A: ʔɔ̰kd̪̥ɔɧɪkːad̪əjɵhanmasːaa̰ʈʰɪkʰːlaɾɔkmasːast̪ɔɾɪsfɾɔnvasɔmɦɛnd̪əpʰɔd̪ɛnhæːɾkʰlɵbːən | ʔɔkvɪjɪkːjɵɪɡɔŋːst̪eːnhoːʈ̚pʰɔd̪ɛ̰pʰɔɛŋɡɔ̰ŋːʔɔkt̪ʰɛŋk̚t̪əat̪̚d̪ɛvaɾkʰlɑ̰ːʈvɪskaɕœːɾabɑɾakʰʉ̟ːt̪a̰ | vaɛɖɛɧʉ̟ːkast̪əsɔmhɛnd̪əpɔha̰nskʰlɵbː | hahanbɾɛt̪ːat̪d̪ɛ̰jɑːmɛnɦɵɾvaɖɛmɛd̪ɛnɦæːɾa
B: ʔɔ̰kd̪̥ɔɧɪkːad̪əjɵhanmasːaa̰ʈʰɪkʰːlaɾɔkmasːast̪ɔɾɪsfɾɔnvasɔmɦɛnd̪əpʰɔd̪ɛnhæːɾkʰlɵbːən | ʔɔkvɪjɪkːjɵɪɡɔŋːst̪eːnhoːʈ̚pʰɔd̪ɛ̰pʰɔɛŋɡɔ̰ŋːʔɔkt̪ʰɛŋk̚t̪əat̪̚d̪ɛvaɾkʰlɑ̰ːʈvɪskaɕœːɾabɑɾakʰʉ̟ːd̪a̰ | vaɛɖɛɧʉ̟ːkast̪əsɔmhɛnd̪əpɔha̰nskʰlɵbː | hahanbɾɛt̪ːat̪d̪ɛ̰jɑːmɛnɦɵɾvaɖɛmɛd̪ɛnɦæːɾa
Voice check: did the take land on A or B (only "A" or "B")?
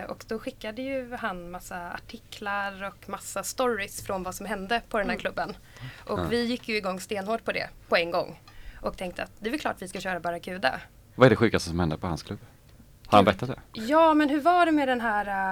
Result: B